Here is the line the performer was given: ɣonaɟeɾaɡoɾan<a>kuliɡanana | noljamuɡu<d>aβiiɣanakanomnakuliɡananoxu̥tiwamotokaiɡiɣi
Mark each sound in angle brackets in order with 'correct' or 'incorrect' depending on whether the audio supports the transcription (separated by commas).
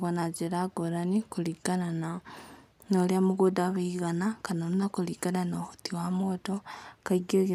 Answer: incorrect, correct